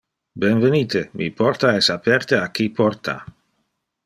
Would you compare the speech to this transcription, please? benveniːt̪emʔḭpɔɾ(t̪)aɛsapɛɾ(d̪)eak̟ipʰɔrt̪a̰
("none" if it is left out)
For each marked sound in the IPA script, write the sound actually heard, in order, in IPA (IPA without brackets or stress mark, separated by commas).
t̪, t̪